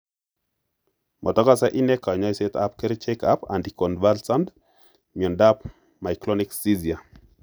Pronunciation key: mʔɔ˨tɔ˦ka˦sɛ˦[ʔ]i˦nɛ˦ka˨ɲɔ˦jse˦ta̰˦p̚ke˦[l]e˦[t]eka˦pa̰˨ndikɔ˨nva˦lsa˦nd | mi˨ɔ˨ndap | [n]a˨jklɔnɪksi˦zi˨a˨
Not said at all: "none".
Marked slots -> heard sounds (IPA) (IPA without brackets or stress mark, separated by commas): ʔ, ɾ, t͡ʃ, m